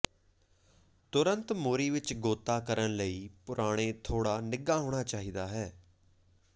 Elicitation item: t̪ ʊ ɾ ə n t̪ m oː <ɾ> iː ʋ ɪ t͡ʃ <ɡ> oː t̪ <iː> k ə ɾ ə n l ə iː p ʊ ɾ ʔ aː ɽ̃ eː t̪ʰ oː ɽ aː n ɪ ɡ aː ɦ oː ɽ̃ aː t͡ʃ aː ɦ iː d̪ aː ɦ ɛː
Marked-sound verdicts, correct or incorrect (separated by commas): correct, correct, incorrect